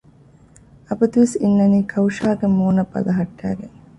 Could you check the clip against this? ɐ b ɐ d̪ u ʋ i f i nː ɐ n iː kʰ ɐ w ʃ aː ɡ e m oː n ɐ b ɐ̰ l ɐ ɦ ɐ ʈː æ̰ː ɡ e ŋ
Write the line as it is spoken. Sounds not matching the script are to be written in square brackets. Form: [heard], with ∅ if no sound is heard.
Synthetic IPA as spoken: ɐ b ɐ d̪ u ʋ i [s] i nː ɐ n iː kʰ ɐ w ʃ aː ɡ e m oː n ɐ b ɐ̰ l ɐ ɦ ɐ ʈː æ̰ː ɡ e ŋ